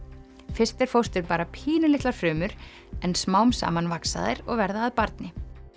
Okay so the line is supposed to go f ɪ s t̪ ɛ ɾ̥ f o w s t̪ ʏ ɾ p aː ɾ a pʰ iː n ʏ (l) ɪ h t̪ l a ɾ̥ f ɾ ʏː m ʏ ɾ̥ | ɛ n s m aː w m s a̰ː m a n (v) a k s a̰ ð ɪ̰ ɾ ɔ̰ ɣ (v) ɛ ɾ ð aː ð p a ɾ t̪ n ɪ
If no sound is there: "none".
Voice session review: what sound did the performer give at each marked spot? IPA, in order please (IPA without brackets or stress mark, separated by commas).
l, v, v